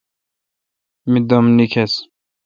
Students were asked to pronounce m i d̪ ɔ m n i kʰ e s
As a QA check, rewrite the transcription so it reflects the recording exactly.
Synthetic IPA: m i d̪ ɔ m n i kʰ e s